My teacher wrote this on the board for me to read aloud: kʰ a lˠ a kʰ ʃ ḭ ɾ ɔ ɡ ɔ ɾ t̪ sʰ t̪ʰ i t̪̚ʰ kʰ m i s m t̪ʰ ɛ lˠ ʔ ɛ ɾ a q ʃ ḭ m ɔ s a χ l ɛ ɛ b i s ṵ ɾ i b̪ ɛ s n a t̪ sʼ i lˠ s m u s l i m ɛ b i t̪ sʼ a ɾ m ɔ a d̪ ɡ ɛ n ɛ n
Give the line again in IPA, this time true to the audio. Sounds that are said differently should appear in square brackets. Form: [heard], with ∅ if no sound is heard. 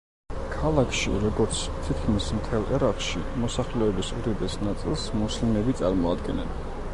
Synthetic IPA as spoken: kʰ a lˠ a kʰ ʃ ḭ ɾ ɔ ɡ ɔ ɾ t̪ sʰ t̪ʰ i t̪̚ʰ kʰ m i s m t̪ʰ ɛ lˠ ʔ ɛ ɾ a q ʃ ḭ m ɔ s a χ l ɛ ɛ b i s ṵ ɾ [ɛ] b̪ ɛ s n a t̪ sʼ i lˠ s m u s l i m ɛ b i t̪ sʼ a ɾ m ɔ a d̪ ɡ ɛ n ɛ n